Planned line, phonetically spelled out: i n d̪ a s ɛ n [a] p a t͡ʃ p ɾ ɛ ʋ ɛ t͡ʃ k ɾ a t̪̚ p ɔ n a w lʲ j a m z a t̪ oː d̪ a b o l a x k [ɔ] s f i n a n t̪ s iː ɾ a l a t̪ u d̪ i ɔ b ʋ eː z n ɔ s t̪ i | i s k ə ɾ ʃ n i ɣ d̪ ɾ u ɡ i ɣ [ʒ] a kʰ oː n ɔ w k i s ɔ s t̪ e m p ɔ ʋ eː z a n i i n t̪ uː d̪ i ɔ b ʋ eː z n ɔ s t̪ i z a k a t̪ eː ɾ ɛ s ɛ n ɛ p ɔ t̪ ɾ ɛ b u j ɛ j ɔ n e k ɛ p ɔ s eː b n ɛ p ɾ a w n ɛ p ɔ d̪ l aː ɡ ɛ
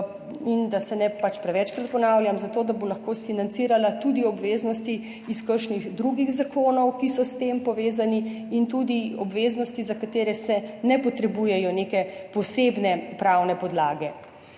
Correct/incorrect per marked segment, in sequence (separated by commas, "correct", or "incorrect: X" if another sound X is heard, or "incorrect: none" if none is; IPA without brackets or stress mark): incorrect: ɛ, incorrect: o, incorrect: z